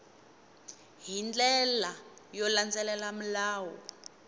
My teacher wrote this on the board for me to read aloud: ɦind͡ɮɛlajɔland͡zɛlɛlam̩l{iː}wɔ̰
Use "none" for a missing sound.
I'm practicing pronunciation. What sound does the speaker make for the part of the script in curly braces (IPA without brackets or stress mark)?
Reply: aː